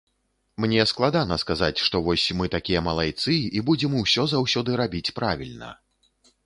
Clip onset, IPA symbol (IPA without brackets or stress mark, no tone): m